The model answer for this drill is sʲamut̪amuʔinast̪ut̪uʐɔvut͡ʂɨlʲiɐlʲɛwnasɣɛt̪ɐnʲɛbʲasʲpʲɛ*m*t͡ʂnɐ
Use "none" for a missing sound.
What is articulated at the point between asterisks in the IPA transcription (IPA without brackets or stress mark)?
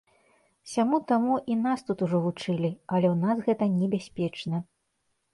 none